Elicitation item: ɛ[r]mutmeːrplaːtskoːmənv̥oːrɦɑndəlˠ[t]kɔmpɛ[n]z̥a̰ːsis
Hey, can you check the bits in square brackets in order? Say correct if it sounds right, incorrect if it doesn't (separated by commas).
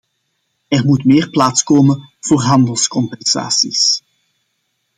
correct, incorrect, correct